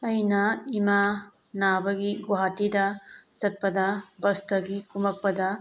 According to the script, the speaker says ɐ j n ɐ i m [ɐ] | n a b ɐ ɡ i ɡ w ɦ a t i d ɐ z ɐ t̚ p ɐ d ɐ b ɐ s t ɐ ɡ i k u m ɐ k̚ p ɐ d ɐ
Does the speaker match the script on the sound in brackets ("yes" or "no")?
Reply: no